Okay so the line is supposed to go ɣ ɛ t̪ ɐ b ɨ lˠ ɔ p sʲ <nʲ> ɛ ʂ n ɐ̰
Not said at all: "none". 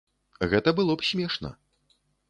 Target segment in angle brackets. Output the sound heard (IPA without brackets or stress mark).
mʲ